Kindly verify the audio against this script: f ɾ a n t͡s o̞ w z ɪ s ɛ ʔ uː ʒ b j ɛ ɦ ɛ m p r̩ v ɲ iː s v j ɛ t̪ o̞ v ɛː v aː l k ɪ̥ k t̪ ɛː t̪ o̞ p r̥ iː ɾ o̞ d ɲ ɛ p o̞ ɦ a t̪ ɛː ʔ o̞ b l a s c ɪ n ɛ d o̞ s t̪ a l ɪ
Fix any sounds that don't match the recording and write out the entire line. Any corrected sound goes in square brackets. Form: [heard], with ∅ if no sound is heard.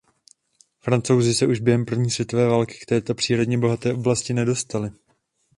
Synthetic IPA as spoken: f ɾ a n t͡s o̞ w z ɪ s ɛ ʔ [u] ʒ b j ɛ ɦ ɛ m p r̩ v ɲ iː s v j ɛ t̪ o̞ v ɛː v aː l k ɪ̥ k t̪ ɛː t̪ o̞ p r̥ iː ɾ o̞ d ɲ ɛ [b] o̞ ɦ a t̪ ɛː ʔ o̞ b l a s c ɪ n ɛ d o̞ s t̪ a l ɪ